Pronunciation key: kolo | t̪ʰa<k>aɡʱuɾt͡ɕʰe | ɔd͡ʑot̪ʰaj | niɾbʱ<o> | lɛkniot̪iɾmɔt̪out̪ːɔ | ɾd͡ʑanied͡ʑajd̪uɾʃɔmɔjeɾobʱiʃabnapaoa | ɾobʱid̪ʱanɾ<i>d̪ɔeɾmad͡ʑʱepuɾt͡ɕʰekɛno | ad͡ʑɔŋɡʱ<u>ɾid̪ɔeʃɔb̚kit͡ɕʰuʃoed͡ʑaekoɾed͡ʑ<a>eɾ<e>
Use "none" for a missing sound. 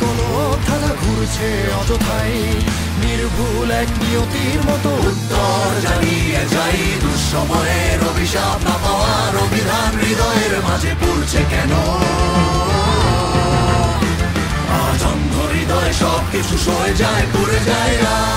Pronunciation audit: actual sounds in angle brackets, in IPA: k, u, i, o, a, a

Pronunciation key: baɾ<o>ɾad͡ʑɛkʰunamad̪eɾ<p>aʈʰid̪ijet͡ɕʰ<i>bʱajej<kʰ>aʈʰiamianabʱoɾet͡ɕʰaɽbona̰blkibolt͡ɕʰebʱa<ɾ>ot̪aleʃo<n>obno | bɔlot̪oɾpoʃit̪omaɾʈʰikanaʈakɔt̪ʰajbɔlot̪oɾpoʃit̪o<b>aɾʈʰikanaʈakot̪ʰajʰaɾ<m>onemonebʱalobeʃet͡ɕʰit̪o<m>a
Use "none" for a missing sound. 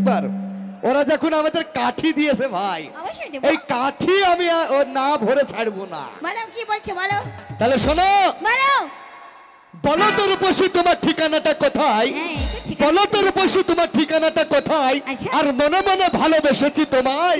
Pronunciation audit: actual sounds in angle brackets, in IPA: o, k, e, k, l, n, m, m, m

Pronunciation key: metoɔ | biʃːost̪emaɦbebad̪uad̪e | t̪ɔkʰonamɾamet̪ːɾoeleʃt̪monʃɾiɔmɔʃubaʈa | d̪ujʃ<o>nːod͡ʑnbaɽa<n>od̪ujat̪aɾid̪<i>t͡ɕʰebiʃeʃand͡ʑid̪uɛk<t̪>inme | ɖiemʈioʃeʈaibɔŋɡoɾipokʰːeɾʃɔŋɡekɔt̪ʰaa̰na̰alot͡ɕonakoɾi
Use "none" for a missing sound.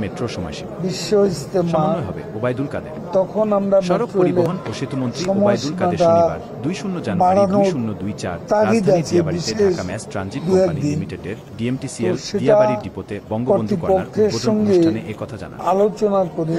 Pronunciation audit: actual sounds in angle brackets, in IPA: u, n, a, d̪

